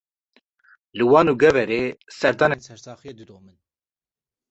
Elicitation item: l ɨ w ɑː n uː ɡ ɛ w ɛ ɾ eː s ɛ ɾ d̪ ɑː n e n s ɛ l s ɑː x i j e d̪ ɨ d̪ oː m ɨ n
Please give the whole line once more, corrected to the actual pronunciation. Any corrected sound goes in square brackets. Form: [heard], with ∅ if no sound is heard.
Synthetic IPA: l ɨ w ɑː n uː ɡ ɛ [v] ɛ ɾ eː s ɛ ɾ d̪ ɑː n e n s ɛ [ɾ] s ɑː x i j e d̪ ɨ d̪ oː m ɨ n

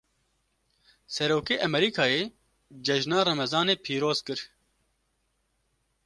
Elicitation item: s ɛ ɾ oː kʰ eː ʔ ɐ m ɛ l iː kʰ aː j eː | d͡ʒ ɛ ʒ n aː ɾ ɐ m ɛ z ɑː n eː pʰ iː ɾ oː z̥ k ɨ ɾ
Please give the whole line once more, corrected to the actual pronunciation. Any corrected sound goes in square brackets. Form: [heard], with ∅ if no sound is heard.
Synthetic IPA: s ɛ ɾ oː [k] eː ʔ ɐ m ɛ [ɾ] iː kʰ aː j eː | d͡ʒ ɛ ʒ n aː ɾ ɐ m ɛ z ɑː n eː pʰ iː ɾ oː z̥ k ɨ ɾ

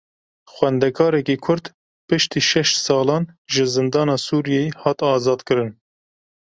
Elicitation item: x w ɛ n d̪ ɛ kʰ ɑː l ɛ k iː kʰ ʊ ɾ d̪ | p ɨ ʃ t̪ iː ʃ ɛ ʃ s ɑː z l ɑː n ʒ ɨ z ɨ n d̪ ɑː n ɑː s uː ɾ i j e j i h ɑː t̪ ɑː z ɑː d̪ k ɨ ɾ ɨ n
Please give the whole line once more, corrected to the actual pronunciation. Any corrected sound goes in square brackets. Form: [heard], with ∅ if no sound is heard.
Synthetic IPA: x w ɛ n d̪ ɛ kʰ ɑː [ɾ] ɛ k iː kʰ ʊ ɾ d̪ | p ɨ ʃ t̪ iː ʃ ɛ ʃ s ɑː [∅] l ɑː n ʒ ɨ z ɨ n d̪ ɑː n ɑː s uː ɾ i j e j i h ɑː t̪ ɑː z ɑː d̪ k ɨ ɾ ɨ n

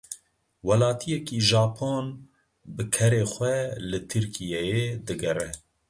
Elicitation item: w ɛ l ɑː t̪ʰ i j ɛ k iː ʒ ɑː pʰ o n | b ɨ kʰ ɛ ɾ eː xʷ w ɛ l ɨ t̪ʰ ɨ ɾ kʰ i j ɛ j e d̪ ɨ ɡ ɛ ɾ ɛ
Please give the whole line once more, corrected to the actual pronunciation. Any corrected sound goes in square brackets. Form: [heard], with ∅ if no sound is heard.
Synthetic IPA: w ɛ l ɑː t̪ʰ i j ɛ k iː ʒ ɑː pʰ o n | b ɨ kʰ ɛ ɾ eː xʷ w ɛ l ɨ t̪ʰ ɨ ɾ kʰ i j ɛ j e d̪ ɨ ɡ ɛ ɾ ɛ

